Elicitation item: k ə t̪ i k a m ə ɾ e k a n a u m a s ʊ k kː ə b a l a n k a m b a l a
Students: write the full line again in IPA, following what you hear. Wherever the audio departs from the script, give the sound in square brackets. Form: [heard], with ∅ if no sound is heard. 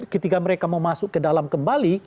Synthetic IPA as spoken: k ə t̪ i k a m ə ɾ e k a [m] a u m a s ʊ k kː ə [d] a l a [m] k [ə] m b a l [i]